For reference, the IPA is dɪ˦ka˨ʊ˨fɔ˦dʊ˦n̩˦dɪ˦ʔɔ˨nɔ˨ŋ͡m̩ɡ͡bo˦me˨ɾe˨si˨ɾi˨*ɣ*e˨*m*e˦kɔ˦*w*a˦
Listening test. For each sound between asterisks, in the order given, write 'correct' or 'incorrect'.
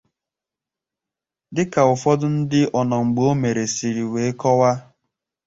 incorrect, incorrect, correct

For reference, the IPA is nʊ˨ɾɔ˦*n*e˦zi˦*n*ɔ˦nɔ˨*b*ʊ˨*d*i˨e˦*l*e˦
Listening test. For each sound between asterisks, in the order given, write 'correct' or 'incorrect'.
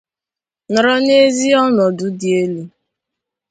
correct, incorrect, incorrect, correct, correct

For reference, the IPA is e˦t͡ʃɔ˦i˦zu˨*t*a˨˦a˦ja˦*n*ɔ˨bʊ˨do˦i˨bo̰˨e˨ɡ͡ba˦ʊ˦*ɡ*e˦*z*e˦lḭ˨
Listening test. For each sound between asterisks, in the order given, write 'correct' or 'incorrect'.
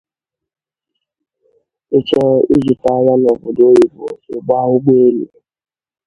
correct, correct, incorrect, incorrect

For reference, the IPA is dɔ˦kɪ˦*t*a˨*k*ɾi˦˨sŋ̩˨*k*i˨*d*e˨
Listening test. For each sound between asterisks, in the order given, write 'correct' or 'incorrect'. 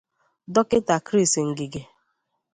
correct, correct, incorrect, incorrect

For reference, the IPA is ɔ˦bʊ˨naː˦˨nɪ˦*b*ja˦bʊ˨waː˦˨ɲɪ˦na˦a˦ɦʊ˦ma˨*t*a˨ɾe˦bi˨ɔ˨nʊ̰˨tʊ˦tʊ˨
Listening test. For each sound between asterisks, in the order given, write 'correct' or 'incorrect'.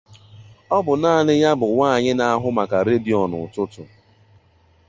incorrect, incorrect

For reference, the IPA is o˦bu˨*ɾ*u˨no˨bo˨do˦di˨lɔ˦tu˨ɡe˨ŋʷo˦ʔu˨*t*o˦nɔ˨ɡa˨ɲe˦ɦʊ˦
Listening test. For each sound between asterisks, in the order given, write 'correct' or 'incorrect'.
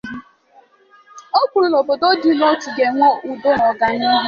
correct, incorrect

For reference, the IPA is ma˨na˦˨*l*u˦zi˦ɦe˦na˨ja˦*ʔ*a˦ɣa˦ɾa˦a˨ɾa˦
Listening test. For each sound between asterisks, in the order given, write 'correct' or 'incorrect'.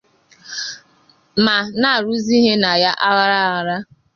incorrect, correct

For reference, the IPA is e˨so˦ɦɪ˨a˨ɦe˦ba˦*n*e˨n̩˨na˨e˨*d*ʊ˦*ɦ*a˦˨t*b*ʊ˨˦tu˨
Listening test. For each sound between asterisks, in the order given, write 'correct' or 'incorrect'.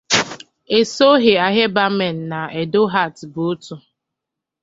incorrect, correct, correct, correct

